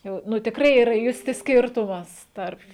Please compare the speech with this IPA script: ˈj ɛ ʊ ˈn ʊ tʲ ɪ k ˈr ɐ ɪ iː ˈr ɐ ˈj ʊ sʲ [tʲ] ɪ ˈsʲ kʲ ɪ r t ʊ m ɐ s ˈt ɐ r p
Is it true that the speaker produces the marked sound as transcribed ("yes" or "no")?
yes